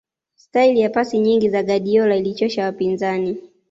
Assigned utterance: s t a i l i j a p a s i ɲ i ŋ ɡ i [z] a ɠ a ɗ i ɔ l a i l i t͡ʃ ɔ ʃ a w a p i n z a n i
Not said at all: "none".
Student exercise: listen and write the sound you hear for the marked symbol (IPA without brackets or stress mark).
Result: z